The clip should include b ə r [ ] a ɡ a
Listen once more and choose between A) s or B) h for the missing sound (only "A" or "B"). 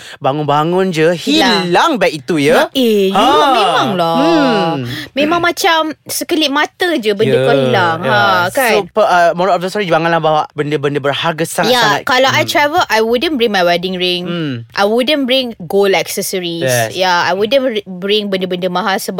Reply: B